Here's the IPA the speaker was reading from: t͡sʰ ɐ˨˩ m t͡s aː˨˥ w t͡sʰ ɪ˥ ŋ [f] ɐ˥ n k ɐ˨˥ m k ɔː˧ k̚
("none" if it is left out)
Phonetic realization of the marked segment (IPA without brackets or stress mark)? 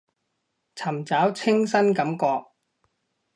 s